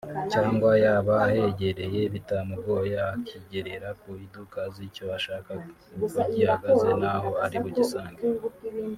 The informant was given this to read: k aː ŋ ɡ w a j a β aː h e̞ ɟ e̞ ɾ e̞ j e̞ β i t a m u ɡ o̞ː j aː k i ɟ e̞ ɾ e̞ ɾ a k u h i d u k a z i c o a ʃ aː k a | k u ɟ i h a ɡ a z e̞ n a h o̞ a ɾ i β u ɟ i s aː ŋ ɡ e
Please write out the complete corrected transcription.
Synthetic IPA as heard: c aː ŋ ɡ w a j a β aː h e̞ ɟ e̞ ɾ e̞ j e̞ β i t a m u ɡ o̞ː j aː k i ɟ e̞ ɾ e̞ ɾ a k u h i d u k a z i c o a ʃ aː k a | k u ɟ i h a ɡ a z e̞ n a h o̞ a ɾ i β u ɟ i s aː ŋ ɡ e